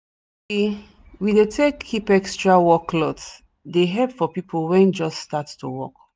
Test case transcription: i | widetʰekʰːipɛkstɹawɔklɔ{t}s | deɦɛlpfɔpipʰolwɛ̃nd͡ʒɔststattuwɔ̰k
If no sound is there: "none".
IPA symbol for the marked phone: t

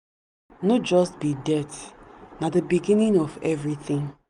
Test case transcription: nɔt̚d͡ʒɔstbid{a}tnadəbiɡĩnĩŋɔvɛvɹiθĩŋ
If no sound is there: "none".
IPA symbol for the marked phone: ɛ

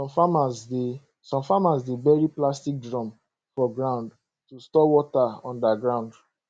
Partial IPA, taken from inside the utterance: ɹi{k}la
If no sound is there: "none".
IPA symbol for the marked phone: p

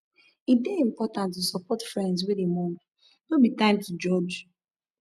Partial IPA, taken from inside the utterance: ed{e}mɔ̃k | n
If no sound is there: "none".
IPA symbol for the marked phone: e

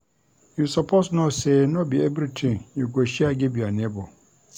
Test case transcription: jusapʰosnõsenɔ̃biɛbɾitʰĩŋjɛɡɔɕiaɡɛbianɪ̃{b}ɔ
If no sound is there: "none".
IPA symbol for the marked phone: b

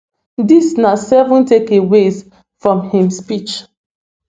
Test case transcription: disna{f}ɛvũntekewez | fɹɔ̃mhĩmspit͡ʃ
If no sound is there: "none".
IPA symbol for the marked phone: s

